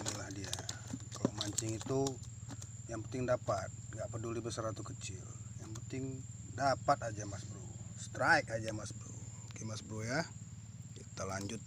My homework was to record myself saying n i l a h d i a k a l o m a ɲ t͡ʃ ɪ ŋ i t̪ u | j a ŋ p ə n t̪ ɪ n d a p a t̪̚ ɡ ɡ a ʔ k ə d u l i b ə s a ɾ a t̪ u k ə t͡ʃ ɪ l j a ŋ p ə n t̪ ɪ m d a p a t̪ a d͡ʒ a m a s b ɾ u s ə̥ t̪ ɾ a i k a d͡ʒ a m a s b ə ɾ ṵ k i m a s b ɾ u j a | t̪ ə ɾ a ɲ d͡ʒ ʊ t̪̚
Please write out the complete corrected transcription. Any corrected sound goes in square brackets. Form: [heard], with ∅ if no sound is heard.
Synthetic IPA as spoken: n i l a h d i a k a l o m a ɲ t͡ʃ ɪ ŋ i t̪ u | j a ŋ p ə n t̪ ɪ [ŋ] d a p a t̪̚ [ŋ] ɡ a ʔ [p] ə d u l i b ə s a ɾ a t̪ u k ə t͡ʃ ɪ l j a ŋ p ə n t̪ ɪ [ŋ] d a p a t̪ a d͡ʒ a m a s b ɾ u s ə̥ t̪ ɾ a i k a d͡ʒ a m a s b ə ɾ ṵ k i m a s b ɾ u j a | t̪ ə [l] a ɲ d͡ʒ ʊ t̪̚